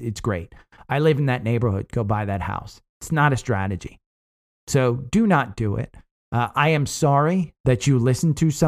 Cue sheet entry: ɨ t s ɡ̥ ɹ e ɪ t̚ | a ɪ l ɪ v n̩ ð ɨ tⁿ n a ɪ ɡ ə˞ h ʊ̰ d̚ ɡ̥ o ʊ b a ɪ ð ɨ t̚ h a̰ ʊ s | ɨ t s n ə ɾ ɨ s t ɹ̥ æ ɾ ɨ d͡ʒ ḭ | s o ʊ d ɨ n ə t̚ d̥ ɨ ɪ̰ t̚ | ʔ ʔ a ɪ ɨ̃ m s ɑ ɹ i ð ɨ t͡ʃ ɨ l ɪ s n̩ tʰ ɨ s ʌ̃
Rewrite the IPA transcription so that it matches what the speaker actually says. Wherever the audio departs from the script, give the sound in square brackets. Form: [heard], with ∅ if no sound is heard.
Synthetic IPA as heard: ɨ t s ɡ̥ ɹ e ɪ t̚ | a ɪ l ɪ v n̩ ð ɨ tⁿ n [e] ɪ [b] ə˞ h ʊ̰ d̚ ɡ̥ o ʊ b a ɪ ð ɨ t̚ h a̰ ʊ s | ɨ t s n ə ɾ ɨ s t ɹ̥ æ ɾ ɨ d͡ʒ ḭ | s o ʊ d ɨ n ə t̚ d̥ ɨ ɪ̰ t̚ | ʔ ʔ a ɪ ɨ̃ m s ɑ ɹ i ð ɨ t͡ʃ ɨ l ɪ s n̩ tʰ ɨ s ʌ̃